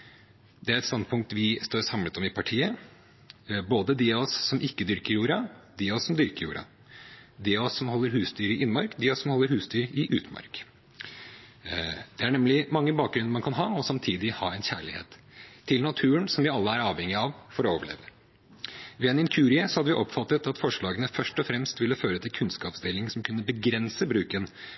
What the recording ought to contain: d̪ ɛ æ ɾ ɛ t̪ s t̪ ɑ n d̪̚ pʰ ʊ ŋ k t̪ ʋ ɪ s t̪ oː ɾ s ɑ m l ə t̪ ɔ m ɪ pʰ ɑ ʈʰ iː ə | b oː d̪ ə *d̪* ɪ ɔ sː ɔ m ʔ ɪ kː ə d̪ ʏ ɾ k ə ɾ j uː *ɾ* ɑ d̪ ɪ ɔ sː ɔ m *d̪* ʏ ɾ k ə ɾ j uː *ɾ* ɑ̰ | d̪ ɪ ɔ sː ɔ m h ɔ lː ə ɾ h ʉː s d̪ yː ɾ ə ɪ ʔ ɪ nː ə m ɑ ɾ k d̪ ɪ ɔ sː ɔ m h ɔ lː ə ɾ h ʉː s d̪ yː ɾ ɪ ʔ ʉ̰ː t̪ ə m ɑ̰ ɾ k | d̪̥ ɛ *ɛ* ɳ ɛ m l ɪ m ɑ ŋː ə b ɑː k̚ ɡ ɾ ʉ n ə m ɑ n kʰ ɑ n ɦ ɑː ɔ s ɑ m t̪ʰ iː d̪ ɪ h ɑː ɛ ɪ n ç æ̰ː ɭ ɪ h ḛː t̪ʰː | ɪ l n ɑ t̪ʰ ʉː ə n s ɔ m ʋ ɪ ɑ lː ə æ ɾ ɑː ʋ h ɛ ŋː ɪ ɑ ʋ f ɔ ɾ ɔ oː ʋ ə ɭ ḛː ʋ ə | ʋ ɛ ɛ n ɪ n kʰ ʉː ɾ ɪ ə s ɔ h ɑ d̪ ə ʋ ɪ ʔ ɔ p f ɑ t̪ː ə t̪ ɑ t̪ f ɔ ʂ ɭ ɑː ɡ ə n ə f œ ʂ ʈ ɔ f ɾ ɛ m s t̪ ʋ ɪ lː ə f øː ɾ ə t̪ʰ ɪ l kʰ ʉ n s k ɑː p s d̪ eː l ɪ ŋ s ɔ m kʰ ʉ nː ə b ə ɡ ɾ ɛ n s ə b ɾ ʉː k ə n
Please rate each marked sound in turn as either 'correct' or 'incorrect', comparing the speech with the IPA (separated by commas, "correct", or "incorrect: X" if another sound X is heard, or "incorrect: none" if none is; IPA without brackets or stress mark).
correct, correct, correct, correct, incorrect: æ